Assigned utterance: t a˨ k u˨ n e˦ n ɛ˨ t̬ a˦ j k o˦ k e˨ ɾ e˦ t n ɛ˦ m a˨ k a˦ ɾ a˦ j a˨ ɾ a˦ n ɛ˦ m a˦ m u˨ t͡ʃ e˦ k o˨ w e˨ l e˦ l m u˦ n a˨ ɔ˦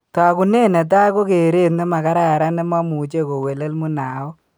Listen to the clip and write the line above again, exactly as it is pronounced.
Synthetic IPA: t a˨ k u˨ n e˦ n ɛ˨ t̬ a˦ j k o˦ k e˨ ɾ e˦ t n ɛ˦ m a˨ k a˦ ɾ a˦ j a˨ ɾ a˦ n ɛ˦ m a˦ m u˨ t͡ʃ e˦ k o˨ w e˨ l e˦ l m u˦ n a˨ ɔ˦